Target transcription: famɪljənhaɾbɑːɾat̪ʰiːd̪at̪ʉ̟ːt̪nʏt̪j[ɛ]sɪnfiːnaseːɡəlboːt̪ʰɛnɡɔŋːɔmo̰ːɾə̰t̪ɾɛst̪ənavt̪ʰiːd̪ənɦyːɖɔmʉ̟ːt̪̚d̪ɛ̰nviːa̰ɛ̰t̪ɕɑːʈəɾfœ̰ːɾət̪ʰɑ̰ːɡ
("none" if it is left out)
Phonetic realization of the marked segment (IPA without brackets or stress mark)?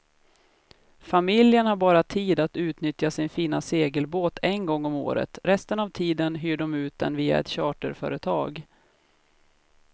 a